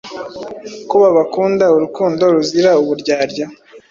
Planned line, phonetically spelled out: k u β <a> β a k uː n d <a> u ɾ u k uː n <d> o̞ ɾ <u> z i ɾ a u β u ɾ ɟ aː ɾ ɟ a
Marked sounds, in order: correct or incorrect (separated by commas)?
correct, correct, correct, correct